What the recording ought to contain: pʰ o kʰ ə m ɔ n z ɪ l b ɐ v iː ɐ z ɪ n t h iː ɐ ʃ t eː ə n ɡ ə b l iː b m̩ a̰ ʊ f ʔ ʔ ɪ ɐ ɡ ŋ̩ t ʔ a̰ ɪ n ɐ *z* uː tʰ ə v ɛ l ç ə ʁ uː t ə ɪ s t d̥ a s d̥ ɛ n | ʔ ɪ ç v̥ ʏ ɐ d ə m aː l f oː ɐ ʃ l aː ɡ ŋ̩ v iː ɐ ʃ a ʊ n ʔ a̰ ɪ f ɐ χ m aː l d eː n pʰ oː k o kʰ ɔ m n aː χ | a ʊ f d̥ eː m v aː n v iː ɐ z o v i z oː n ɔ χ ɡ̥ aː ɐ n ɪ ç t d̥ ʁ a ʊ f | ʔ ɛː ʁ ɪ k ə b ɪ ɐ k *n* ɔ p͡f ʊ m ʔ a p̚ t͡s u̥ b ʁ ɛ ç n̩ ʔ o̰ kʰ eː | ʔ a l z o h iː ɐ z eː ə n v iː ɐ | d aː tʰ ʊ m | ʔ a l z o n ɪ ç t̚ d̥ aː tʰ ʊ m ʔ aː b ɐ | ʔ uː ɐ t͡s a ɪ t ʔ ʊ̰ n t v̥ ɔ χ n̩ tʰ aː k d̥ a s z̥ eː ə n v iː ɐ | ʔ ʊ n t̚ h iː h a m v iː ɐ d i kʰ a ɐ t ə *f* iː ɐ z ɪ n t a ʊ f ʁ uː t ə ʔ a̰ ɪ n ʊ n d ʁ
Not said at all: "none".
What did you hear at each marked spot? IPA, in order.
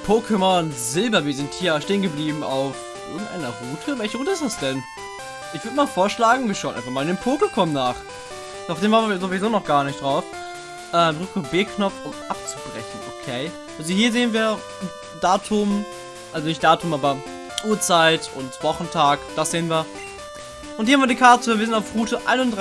ʁ, n, v

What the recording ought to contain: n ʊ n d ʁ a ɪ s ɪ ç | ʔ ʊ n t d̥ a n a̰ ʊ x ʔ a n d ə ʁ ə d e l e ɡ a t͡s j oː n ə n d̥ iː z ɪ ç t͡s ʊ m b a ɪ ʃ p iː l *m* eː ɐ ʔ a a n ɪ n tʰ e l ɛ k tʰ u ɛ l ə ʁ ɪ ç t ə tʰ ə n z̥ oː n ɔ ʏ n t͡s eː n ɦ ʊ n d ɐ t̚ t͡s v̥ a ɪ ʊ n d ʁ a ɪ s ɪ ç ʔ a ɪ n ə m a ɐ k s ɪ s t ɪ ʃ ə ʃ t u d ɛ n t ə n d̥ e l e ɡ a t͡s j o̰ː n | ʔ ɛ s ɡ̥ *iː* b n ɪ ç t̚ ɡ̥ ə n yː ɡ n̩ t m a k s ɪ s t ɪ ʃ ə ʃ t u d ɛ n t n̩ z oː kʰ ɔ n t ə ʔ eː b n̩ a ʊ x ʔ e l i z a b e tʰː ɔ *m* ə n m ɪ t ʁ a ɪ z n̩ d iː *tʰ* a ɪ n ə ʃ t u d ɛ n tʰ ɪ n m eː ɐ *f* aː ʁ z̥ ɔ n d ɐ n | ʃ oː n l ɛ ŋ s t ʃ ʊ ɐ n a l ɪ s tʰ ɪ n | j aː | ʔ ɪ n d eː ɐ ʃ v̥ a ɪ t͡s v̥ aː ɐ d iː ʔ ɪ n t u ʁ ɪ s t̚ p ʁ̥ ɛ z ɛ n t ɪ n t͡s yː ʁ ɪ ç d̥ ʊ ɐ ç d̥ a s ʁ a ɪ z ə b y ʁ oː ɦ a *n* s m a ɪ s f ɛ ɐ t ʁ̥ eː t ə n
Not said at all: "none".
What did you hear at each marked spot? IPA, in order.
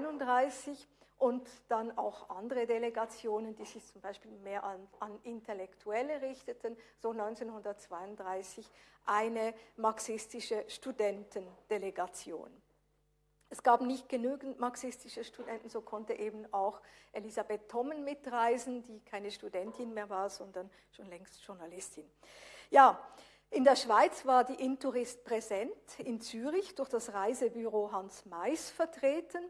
m, aː, m, kʰ, v, n

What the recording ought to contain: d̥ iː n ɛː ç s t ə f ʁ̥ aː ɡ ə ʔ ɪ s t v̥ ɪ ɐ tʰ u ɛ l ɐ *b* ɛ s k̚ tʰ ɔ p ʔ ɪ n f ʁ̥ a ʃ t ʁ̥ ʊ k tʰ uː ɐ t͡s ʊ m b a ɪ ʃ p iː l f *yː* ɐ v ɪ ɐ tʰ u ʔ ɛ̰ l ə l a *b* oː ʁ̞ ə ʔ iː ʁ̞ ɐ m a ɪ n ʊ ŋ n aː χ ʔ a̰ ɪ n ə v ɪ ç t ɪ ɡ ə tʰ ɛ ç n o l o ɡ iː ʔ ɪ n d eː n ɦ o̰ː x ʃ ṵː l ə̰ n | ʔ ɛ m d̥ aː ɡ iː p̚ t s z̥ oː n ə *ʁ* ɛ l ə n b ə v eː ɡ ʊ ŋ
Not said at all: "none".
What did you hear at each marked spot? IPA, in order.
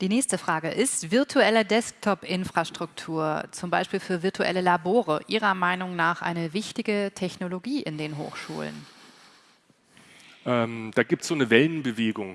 d, yː, b, v

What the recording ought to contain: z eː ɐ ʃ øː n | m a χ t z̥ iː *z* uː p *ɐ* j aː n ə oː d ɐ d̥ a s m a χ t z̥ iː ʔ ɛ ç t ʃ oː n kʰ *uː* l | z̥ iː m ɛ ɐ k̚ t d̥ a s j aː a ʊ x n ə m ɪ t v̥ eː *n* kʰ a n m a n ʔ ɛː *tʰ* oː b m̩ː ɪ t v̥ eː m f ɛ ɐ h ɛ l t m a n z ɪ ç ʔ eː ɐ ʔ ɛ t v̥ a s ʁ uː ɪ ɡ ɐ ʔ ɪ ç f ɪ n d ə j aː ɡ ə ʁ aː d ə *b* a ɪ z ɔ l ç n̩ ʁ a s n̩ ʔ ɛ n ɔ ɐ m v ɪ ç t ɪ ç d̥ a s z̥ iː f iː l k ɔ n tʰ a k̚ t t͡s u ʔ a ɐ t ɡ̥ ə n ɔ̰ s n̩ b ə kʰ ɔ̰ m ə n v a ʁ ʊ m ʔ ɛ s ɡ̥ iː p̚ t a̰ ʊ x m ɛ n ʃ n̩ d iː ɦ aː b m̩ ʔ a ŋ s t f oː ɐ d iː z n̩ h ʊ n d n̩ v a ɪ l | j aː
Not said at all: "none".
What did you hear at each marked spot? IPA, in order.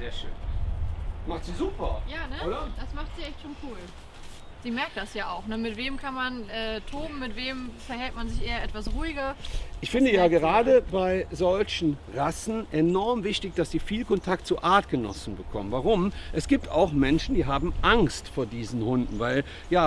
z, ɐ, uː, m, tʰ, b

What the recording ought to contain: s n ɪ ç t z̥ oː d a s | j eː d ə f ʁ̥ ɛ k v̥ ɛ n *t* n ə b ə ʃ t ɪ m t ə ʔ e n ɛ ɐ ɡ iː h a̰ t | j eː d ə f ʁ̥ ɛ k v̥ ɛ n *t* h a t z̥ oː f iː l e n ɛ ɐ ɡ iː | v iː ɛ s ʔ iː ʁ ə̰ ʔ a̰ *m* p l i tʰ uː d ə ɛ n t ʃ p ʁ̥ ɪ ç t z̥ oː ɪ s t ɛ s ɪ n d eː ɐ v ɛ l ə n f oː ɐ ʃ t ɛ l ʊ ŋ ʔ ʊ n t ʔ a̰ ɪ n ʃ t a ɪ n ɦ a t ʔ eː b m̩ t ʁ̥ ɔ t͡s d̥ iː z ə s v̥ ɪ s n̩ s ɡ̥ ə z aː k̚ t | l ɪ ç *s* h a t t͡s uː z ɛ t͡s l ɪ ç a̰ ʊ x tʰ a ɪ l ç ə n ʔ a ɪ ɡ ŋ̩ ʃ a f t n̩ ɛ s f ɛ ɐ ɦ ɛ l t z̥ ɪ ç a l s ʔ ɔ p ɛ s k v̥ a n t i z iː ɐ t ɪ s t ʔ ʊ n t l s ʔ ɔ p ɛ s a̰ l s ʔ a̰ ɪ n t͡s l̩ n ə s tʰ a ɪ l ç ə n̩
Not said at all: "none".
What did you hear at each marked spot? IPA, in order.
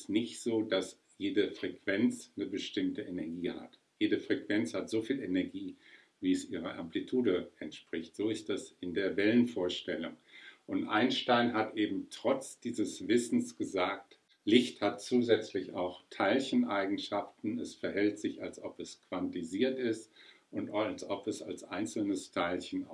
t͡s, t͡s, m, t

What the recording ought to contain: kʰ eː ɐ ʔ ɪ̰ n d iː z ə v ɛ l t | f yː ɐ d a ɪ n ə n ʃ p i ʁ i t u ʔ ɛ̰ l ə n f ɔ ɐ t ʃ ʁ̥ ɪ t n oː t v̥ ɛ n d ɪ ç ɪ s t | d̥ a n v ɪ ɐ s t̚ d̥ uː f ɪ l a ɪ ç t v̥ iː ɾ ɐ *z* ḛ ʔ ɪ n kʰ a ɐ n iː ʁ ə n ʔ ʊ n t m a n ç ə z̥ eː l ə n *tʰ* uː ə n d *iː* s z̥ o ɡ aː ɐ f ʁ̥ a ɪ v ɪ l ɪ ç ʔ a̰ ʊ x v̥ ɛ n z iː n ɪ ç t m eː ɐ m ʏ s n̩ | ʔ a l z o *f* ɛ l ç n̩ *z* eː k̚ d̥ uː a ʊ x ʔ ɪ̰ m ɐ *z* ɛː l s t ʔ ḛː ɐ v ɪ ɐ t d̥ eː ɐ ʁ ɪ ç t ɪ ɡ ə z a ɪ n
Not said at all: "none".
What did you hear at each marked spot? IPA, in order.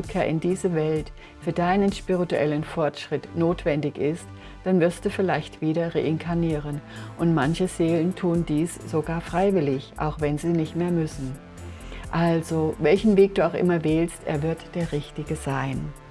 ʁ, tʰ, iː, v, v, v

